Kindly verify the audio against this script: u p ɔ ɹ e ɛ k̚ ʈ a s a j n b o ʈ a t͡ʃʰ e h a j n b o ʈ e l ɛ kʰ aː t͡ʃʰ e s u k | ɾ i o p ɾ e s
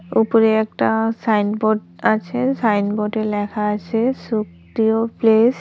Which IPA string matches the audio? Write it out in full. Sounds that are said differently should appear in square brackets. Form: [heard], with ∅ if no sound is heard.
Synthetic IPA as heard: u p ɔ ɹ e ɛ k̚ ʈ a s a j n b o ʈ a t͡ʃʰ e [s] a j n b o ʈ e l ɛ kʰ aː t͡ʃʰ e s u k | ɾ i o p [l] e s